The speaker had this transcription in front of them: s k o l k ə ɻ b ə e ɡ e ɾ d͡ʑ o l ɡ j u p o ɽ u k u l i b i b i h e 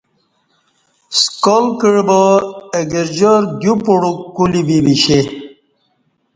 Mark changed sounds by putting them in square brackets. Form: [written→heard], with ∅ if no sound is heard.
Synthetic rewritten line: s k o l k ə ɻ b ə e ɡ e ɾ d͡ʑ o [l→ɾ] ɡ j u p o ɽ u k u l i b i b i [h→ɕ] e